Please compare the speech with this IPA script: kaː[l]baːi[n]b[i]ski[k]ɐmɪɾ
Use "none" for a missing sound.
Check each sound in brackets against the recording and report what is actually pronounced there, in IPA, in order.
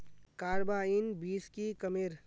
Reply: ɾ, n, iː, k

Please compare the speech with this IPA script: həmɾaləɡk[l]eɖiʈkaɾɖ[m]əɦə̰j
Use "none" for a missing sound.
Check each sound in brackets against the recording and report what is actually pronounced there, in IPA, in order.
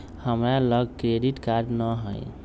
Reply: ɾ, n

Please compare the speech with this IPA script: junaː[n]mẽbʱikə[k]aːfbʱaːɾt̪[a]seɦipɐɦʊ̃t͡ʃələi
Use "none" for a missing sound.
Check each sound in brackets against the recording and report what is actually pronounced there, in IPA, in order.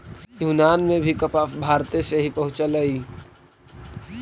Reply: n, p, e

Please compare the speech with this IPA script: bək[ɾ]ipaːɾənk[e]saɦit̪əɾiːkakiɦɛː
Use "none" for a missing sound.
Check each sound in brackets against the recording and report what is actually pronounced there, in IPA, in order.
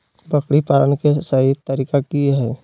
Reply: ɽ, e

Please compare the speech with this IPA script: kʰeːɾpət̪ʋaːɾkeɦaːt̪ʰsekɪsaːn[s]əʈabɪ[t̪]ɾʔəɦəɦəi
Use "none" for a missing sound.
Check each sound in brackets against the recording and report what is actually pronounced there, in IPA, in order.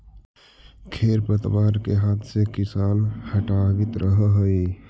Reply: h, t̪

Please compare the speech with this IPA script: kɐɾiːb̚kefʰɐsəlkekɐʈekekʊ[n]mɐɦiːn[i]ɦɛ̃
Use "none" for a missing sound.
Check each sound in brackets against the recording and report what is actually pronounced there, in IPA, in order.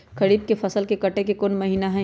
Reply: n, a

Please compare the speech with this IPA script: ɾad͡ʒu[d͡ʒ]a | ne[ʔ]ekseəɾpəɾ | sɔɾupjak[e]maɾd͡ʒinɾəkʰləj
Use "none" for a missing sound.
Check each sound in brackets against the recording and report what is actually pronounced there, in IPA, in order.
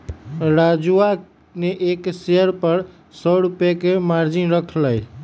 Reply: none, ʔ, e

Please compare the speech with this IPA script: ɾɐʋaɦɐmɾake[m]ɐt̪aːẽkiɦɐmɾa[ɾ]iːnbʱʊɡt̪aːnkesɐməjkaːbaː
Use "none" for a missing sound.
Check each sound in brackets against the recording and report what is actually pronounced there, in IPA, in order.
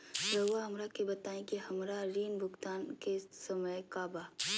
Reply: b, ɾ

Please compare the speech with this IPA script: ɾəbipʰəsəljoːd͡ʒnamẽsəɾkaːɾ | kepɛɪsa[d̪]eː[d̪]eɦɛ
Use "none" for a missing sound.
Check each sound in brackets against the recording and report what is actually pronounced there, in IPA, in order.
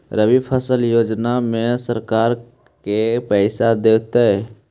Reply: d̪, t̪

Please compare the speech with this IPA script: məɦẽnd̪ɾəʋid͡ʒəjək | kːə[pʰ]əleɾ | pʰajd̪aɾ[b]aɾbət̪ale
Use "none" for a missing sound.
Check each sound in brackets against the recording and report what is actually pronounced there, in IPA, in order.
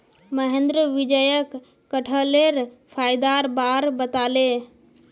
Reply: ʈʰ, b

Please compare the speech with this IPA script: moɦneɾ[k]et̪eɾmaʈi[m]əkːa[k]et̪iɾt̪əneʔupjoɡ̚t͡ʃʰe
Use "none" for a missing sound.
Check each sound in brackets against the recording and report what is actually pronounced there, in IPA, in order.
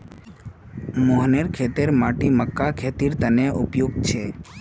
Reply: kʰ, m, kʰ

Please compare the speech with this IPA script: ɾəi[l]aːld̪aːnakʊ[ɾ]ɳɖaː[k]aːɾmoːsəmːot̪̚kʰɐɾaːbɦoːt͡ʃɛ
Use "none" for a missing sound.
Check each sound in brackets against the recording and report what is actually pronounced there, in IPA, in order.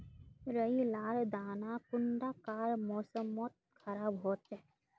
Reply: l, none, k

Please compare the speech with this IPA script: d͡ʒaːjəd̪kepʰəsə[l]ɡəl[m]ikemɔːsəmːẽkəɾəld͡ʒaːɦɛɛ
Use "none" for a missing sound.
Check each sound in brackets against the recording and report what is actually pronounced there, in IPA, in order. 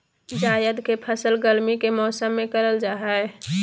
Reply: l, m

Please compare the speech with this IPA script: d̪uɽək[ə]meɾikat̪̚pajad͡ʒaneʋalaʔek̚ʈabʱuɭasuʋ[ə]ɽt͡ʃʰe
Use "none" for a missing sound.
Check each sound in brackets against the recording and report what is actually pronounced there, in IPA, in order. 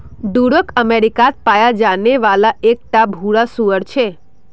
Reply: ə, ə

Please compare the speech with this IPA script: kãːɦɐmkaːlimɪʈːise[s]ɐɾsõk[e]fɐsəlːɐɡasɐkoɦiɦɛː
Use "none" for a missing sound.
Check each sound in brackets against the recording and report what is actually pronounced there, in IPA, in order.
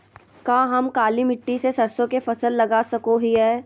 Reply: s, e

